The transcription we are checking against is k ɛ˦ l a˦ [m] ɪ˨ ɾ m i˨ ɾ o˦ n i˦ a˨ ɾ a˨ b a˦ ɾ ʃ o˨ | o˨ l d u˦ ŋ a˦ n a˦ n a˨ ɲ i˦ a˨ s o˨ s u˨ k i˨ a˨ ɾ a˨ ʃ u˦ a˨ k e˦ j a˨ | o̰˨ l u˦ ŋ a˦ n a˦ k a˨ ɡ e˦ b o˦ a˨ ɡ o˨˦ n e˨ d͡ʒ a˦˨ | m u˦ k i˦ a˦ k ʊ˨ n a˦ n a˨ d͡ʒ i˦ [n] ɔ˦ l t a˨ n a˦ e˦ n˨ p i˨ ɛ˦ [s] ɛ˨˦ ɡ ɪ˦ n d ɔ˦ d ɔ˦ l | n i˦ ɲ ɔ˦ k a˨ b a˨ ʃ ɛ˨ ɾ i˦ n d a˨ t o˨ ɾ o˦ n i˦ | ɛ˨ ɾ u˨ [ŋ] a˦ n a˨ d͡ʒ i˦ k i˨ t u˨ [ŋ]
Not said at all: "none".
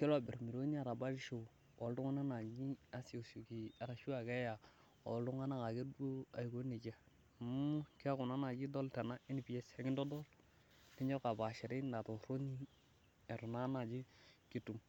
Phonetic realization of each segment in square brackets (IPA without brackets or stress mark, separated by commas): b, d, s, n, m